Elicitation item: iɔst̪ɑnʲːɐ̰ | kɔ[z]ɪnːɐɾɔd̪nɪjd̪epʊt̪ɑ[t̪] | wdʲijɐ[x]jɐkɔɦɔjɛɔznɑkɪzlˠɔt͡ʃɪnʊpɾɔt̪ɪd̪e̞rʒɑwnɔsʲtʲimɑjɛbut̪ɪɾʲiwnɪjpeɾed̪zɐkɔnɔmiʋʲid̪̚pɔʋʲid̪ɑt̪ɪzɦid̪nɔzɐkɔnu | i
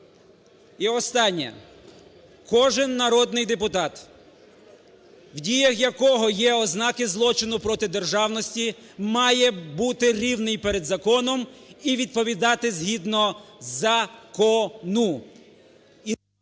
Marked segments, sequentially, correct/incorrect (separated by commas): incorrect, correct, correct